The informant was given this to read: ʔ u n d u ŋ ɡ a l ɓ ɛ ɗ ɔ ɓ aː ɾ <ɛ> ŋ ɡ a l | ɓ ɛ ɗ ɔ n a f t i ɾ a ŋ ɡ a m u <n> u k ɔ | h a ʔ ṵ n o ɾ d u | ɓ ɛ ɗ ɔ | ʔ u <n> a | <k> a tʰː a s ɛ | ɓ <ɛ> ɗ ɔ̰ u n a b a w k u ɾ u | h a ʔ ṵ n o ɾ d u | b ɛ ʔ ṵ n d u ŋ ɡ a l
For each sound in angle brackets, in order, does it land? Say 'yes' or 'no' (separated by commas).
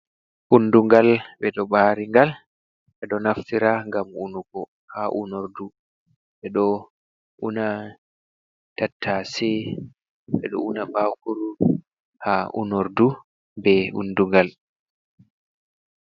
no, yes, yes, no, yes